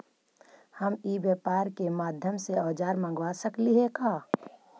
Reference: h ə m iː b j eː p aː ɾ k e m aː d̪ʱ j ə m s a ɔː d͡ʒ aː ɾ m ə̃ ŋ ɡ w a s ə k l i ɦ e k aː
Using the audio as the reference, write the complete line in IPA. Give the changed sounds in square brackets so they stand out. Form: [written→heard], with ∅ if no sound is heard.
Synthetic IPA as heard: h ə m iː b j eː p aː ɾ k e m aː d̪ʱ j ə m s [a→e] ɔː d͡ʒ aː ɾ m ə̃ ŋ ɡ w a s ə k l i ɦ e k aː